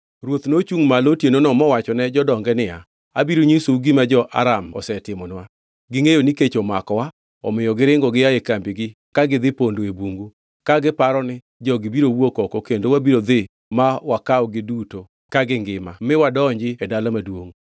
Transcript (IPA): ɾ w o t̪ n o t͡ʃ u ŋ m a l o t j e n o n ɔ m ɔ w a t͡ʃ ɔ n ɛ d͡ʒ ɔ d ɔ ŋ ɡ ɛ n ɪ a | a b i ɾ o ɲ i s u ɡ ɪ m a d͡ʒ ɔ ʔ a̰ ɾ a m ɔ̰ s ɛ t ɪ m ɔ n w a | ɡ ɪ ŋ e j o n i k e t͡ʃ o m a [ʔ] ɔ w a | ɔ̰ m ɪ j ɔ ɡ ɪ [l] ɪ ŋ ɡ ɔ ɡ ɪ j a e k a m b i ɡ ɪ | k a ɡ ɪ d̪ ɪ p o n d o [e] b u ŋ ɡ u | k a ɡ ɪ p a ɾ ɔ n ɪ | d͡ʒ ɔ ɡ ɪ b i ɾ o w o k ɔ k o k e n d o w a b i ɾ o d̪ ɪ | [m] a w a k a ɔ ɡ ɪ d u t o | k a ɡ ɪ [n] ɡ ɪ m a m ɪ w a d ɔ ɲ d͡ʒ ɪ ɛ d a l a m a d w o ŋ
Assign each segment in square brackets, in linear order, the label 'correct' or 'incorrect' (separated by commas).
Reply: incorrect, incorrect, correct, correct, incorrect